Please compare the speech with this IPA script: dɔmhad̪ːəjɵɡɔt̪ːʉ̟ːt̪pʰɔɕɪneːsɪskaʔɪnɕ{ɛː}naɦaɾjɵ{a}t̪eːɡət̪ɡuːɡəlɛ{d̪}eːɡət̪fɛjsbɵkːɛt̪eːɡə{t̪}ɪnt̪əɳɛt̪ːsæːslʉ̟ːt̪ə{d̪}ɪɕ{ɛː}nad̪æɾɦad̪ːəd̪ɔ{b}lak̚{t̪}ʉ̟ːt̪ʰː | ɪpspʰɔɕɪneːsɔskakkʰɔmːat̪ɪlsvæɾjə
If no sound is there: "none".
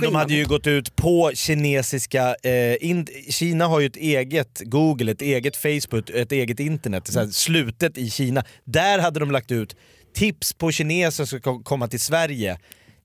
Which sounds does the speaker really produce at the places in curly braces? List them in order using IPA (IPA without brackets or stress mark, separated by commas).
iː, ɛ, t̪, t̪, t̪, iː, m, t̪